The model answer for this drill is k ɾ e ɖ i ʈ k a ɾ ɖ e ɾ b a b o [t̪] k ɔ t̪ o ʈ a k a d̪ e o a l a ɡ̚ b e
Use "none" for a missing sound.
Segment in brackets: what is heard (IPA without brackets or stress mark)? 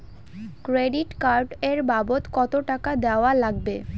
t̪